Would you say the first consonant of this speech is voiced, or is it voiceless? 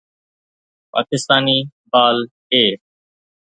voiceless